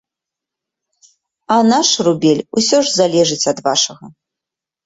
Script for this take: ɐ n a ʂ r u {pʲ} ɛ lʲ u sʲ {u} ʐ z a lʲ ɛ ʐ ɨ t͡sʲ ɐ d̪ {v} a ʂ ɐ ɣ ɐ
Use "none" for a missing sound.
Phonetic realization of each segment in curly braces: bʲ, ɔ, v

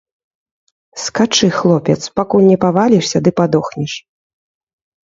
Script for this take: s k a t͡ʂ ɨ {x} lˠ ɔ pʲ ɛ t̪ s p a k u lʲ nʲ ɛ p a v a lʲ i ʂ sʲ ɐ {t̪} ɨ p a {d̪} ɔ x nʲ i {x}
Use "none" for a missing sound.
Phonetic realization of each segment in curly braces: x, d̪, d̪, ʂ

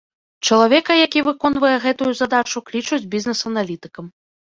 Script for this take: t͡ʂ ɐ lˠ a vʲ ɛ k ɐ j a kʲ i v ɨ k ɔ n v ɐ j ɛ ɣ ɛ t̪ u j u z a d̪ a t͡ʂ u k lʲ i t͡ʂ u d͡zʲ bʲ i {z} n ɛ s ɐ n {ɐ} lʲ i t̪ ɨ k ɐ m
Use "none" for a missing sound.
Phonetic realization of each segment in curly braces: z, a

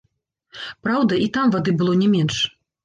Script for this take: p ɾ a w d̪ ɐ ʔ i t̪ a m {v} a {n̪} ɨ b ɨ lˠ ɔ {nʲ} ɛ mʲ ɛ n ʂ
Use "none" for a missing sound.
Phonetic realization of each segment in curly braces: v, d̪, nʲ

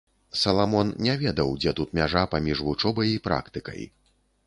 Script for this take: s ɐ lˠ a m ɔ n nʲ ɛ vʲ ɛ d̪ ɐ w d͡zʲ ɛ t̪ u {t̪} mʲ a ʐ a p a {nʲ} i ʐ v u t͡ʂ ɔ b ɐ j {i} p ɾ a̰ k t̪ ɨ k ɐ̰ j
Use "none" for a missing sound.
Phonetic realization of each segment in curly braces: t̪, mʲ, i

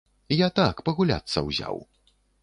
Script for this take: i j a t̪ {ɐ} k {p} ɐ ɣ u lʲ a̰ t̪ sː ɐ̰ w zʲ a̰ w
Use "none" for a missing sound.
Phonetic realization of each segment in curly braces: a, p

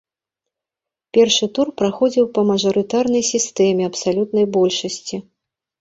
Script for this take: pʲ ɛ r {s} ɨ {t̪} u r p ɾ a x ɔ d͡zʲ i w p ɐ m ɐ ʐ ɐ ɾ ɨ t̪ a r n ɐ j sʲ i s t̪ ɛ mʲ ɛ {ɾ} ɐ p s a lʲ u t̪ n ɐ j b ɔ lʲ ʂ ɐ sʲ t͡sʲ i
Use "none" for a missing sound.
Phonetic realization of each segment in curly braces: ʂ, t̪, none

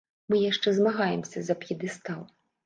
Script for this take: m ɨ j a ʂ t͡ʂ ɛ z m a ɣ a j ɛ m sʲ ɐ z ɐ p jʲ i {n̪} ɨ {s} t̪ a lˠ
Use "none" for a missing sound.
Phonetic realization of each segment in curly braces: d̪, s

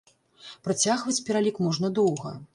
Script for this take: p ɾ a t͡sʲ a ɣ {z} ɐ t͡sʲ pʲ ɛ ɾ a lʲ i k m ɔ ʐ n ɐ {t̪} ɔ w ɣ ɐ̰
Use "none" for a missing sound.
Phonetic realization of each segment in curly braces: v, d̪

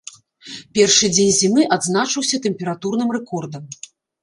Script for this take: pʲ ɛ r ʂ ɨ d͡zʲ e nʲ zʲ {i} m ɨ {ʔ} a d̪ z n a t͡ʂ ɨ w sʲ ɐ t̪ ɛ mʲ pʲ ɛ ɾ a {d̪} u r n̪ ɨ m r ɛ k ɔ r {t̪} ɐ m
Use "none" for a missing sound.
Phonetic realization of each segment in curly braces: i, ʔ, t̪, d̪

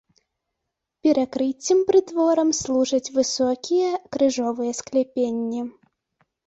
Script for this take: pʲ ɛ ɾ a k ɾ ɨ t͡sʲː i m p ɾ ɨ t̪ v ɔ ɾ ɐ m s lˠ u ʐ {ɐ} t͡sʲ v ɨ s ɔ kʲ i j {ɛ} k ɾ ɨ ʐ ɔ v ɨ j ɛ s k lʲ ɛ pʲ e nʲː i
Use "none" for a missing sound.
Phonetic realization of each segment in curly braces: ɐ, ɛ

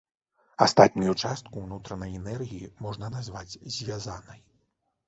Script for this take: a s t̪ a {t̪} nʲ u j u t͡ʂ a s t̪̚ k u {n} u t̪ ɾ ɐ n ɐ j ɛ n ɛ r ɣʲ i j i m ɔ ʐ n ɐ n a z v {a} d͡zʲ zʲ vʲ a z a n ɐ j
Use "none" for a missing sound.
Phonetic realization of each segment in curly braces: t̪, n, a

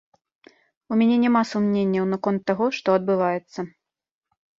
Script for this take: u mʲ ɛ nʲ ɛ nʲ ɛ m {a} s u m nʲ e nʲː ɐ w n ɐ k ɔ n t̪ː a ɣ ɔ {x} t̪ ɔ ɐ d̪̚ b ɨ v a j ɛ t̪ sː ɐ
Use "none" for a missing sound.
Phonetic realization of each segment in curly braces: a, ʂ

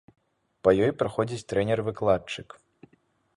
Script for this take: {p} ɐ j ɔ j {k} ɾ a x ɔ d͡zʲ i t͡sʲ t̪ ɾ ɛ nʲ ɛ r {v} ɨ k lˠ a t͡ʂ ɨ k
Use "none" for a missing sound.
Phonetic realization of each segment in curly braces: p, p, v

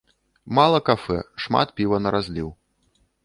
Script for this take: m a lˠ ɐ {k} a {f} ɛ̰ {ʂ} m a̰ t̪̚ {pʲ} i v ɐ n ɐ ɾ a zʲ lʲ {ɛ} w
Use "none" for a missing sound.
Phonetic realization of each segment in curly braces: k, f, ʂ, pʲ, i

